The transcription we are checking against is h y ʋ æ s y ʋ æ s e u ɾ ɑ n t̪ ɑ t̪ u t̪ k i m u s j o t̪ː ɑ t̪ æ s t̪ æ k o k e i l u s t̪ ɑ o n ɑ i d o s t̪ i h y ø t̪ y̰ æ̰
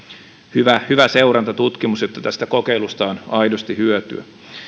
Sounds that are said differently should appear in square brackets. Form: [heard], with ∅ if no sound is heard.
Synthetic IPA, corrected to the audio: h y ʋ æ [h] y ʋ æ s e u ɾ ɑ n t̪ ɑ t̪ u t̪ k i m u s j o t̪ː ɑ t̪ æ s t̪ æ k o k e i l u s t̪ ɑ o n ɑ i d o s t̪ i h y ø t̪ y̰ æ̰